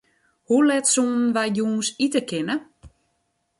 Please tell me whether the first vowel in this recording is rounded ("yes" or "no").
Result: yes